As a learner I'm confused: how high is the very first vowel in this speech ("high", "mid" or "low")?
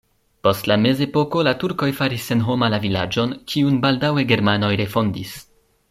mid